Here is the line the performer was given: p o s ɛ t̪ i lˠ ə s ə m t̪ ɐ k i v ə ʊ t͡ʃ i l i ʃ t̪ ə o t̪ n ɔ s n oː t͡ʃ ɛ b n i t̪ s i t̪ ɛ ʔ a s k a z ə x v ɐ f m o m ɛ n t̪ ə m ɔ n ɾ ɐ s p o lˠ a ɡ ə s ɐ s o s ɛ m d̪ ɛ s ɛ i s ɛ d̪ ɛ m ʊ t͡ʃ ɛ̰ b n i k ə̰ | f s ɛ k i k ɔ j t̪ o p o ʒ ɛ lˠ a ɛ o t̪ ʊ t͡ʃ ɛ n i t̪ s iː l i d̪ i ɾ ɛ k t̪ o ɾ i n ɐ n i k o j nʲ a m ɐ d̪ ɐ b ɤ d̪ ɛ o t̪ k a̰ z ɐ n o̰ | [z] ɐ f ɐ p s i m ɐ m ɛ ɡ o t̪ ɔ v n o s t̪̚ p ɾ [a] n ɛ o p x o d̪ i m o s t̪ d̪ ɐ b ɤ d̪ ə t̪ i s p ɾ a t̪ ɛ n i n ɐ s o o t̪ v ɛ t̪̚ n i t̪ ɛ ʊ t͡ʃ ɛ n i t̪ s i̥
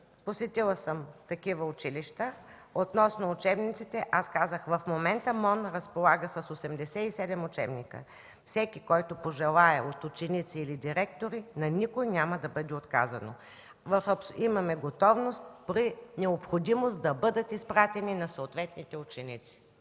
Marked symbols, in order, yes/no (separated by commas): no, no